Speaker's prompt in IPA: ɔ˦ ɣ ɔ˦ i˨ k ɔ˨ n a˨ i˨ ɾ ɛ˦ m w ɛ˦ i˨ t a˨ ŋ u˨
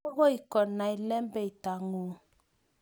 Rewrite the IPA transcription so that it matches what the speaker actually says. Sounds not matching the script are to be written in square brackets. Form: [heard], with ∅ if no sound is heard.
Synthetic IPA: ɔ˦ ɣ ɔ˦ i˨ k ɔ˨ n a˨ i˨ [l] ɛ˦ m [b] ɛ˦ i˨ t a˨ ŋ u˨